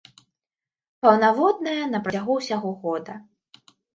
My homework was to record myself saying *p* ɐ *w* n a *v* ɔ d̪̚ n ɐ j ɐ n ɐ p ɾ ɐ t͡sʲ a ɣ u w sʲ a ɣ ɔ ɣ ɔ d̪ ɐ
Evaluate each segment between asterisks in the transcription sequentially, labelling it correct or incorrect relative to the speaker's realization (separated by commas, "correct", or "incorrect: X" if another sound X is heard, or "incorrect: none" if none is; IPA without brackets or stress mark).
correct, correct, correct